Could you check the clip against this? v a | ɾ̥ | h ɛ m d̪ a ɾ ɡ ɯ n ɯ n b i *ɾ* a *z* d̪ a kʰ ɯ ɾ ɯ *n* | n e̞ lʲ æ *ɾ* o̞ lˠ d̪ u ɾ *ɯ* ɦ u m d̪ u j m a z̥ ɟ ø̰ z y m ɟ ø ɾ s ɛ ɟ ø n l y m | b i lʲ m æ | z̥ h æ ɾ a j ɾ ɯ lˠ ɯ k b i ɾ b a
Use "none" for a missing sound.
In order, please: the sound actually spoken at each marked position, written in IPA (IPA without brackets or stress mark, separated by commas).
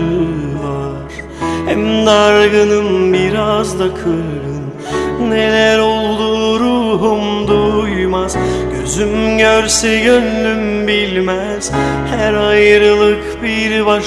ɾ, z, n, ɾ, u